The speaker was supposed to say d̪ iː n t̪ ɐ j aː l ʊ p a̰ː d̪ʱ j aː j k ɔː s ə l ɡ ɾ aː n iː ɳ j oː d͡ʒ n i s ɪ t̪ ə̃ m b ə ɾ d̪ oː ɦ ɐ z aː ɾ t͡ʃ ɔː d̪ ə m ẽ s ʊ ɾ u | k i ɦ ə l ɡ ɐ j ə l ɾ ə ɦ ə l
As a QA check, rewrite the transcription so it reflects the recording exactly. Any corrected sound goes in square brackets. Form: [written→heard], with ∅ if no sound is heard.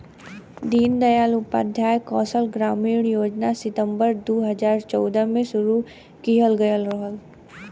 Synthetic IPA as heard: d̪ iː n [t̪→d̪] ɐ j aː l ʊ p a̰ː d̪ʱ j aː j k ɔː s ə l ɡ ɾ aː [n→m] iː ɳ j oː d͡ʒ n [i→a] s ɪ t̪ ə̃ m b ə ɾ d̪ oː ɦ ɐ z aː ɾ t͡ʃ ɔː d̪ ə m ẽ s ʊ ɾ u | k i ɦ ə l ɡ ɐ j ə l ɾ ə ɦ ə l